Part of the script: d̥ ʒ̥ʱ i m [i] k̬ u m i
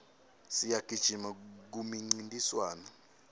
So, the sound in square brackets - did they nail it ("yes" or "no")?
no